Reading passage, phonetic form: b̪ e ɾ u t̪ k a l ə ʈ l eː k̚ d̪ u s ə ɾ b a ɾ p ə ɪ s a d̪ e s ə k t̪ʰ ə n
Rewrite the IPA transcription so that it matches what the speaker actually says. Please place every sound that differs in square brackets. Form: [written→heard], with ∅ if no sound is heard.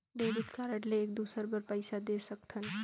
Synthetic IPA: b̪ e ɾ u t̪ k a [l→ɾ] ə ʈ l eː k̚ d̪ u s ə ɾ b [a→ə] ɾ p ə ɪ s a d̪ e s ə k t̪ʰ ə n